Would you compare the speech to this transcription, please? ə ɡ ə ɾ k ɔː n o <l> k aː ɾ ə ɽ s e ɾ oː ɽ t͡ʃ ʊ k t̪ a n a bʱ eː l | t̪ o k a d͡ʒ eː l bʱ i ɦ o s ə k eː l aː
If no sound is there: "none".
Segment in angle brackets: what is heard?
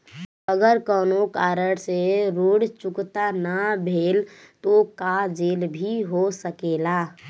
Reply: none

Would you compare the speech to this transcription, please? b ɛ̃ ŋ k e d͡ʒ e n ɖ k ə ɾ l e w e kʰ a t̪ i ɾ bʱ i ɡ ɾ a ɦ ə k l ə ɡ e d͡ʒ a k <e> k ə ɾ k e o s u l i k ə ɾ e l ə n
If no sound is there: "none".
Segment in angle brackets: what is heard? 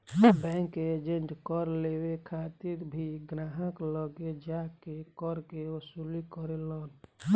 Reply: e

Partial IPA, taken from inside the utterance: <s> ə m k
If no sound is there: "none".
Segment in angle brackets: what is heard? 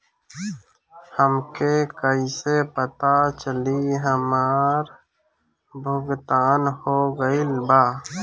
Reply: h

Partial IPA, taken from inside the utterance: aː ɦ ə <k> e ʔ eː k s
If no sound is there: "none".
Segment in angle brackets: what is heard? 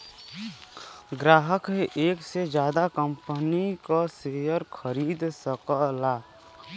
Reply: k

